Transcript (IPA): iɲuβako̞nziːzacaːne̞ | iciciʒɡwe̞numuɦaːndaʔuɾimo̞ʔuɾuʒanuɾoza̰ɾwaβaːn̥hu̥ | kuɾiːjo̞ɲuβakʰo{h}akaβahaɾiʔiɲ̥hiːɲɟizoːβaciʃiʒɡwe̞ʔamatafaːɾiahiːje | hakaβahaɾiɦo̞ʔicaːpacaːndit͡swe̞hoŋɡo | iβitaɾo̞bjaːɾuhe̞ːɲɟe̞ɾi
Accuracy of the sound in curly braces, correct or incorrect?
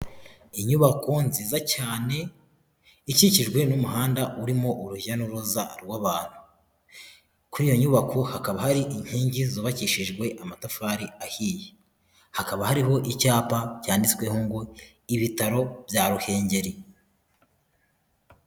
correct